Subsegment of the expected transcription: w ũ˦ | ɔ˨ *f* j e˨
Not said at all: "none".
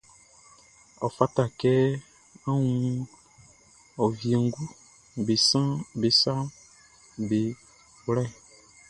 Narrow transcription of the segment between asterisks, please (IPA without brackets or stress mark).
v